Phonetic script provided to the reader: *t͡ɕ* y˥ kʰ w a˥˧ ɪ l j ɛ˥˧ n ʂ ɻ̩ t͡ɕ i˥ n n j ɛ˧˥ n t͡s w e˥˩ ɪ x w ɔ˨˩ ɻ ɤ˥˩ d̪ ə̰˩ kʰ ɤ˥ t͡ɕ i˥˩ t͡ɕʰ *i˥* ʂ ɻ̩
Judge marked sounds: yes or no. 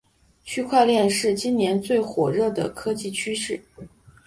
no, no

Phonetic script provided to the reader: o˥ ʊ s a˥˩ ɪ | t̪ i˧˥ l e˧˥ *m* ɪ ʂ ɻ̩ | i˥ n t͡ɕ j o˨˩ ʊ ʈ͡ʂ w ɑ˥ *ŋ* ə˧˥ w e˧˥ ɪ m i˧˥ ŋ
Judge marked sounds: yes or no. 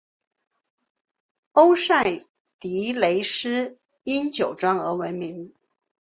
no, yes

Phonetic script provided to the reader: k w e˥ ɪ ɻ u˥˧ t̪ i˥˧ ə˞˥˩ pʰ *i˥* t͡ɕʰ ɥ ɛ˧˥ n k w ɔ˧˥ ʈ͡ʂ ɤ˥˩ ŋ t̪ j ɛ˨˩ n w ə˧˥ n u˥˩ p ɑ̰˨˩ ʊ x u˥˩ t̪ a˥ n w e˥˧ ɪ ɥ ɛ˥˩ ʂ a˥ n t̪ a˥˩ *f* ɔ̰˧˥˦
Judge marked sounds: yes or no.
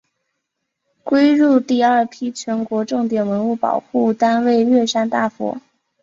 yes, yes

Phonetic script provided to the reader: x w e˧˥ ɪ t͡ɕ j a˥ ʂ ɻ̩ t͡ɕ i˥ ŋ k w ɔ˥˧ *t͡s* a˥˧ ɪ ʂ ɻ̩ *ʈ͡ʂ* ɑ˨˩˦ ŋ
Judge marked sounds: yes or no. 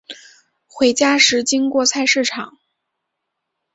no, no

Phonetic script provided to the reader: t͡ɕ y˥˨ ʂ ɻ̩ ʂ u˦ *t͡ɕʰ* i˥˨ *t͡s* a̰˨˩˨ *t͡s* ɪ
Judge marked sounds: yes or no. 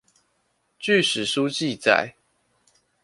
no, yes, no

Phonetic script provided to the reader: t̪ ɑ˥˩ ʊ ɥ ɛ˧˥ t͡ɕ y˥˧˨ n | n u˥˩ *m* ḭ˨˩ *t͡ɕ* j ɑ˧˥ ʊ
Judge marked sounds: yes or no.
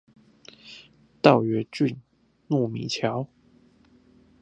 yes, no

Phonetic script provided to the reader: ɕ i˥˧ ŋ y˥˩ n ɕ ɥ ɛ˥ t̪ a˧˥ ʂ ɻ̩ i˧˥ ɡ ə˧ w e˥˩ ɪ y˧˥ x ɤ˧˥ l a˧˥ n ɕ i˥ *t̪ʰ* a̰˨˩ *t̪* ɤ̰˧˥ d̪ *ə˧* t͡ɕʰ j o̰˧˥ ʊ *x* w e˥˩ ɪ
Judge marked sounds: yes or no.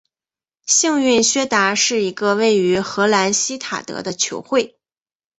yes, yes, yes, yes

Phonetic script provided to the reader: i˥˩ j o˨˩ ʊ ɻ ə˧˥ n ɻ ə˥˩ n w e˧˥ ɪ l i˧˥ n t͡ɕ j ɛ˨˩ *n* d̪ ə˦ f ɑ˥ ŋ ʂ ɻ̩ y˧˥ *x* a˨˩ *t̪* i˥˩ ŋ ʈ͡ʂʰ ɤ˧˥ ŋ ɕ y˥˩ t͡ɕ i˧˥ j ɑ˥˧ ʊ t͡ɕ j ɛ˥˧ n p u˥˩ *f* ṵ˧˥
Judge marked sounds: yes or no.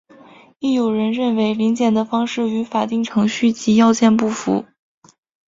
yes, no, yes, yes

